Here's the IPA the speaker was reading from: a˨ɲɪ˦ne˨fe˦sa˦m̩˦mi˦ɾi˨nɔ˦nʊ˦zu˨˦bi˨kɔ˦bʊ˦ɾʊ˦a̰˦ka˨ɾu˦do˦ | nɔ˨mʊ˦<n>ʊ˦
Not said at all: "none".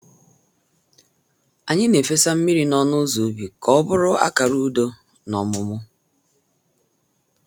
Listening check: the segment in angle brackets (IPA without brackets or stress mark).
m